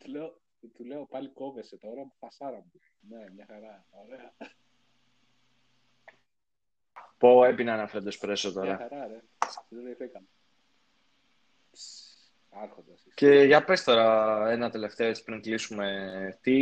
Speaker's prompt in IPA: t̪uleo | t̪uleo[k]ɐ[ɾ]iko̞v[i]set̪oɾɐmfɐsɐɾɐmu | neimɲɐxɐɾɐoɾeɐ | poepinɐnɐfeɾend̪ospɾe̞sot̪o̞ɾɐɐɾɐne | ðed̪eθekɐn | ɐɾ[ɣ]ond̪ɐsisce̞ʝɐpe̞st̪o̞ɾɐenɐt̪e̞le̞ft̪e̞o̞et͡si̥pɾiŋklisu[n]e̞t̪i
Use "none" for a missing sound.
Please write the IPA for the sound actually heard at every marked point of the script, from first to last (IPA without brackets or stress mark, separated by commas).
p, l, e, x, m